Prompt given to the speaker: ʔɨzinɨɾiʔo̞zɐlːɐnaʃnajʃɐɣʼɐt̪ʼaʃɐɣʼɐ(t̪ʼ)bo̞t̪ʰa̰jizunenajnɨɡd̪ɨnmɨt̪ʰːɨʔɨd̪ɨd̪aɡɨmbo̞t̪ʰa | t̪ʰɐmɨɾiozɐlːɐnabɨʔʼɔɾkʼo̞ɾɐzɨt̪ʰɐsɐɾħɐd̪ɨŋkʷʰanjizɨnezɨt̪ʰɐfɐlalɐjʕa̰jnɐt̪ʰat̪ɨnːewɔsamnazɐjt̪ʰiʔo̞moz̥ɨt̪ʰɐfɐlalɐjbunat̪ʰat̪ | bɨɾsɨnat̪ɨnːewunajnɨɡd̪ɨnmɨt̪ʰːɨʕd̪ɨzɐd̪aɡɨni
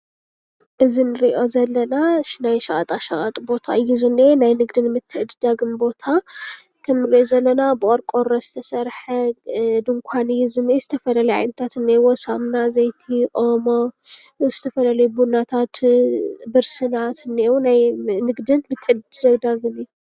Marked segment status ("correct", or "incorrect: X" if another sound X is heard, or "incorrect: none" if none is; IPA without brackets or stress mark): correct